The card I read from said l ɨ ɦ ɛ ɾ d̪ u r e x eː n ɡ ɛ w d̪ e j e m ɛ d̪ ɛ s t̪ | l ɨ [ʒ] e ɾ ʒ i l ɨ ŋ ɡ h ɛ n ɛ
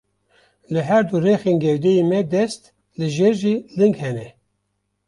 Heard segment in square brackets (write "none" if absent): ʒ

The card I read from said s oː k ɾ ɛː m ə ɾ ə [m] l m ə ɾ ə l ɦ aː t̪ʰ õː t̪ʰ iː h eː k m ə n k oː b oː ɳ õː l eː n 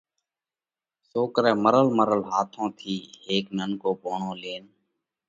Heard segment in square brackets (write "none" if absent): none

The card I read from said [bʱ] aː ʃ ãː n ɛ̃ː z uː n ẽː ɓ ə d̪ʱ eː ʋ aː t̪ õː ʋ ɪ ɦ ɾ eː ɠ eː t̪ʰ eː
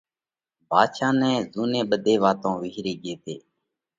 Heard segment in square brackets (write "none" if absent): bʱ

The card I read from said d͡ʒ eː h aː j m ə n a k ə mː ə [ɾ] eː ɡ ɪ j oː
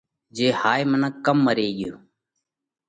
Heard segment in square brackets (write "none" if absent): ɾ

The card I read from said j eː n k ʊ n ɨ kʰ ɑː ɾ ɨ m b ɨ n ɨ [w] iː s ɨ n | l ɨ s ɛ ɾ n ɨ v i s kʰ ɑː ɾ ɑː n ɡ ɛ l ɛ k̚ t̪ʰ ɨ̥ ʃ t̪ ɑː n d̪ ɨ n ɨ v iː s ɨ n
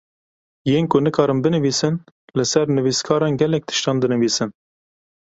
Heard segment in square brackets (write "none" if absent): v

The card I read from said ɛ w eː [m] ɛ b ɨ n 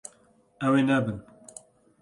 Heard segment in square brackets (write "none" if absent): n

